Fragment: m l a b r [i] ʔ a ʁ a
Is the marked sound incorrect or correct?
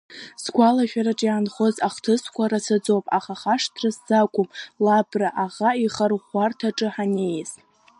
incorrect